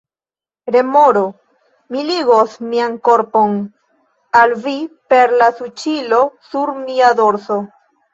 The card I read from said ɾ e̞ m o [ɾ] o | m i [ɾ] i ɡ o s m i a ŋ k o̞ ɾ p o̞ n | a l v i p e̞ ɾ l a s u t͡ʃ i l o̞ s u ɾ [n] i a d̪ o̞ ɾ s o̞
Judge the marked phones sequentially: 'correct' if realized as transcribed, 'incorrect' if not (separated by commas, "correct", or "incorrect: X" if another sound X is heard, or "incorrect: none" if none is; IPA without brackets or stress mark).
correct, incorrect: l, incorrect: m